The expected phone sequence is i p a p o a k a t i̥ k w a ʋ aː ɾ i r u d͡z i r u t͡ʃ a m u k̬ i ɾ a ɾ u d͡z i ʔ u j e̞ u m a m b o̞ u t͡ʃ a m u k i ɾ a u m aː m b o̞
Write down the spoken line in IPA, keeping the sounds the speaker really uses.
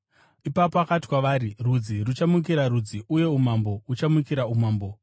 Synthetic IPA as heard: i p a p o a k a t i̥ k w a ʋ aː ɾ i r u d͡z i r u t͡ʃ a m u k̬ i ɾ a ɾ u d͡z i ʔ u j e̞ u m a m b o̞ u t͡ʃ a m u k i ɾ a u m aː m b o̞